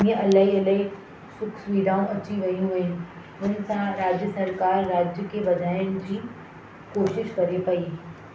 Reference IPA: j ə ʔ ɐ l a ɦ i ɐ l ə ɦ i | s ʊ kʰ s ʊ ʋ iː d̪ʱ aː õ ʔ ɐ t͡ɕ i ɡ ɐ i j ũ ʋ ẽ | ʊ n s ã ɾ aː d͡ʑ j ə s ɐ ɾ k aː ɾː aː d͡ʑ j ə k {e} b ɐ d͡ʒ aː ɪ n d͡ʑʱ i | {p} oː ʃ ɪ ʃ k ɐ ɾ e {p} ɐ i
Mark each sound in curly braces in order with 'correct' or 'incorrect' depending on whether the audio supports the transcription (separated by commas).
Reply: correct, incorrect, correct